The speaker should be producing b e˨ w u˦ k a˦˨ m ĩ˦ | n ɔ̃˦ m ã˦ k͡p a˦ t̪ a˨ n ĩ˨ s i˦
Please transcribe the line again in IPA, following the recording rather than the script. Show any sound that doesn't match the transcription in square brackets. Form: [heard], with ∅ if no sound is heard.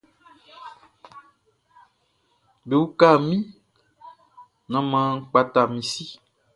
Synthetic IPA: b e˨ w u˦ k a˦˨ m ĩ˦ | n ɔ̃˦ m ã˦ k͡p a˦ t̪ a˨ [m] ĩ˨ s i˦